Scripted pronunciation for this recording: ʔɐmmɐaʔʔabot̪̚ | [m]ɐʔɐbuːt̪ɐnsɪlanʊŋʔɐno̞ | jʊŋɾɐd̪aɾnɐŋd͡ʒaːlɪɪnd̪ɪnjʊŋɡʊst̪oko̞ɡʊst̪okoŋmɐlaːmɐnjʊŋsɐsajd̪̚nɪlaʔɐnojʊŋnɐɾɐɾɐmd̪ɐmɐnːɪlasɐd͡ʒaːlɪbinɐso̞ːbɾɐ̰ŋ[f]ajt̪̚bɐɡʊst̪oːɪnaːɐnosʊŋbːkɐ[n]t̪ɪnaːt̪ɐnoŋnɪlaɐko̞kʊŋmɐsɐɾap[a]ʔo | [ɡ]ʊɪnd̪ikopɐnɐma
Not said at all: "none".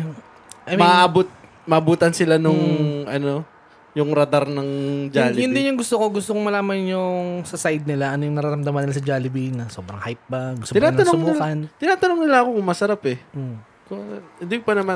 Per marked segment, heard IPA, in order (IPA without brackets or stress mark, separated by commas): m, h, n, ɛ, k